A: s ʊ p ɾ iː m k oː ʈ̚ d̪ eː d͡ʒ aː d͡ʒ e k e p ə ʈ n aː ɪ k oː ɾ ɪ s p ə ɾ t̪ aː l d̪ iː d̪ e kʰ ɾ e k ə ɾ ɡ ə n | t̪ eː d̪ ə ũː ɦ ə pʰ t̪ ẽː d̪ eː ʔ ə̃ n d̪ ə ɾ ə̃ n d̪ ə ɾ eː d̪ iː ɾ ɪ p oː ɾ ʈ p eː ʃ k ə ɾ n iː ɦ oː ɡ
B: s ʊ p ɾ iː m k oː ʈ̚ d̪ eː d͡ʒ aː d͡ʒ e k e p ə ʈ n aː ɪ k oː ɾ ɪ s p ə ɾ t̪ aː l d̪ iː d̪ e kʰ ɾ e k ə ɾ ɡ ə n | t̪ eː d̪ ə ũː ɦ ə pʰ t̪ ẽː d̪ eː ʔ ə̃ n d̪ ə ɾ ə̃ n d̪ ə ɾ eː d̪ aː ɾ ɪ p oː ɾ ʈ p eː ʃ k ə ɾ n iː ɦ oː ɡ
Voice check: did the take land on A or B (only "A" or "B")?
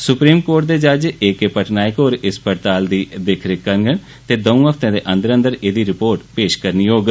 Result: A